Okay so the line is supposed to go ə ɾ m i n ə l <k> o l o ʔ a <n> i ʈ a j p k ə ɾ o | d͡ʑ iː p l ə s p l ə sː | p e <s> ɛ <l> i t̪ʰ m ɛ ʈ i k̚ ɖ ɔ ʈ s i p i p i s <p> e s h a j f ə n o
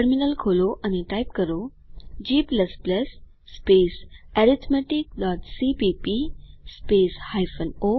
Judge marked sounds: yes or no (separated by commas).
no, yes, yes, no, yes